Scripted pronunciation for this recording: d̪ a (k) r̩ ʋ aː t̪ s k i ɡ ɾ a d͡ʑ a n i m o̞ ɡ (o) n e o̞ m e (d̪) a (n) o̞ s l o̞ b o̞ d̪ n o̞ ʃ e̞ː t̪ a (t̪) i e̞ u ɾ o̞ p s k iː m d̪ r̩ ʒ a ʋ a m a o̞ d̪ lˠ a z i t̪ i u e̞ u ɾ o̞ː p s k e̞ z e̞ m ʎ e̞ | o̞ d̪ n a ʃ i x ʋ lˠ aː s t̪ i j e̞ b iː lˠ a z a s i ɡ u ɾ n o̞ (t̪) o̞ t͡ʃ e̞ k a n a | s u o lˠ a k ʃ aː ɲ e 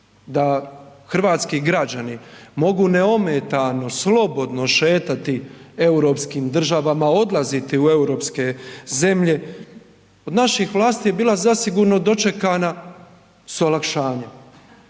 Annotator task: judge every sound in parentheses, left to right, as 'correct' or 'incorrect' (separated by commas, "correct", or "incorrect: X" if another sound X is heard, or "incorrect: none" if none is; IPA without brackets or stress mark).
incorrect: x, incorrect: u, incorrect: t̪, correct, correct, incorrect: d̪